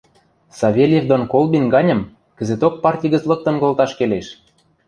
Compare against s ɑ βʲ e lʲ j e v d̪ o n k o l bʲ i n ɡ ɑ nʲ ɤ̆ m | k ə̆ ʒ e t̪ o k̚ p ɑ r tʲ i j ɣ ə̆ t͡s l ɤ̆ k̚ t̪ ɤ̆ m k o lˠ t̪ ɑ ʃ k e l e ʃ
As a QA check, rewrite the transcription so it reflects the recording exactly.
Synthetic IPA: s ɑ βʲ e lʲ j e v d̪ o n k o l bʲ i n ɡ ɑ nʲ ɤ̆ m | k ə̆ z e t̪ o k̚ p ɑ r tʲ i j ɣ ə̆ t͡s l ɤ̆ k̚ t̪ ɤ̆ n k o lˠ t̪ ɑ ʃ k e l e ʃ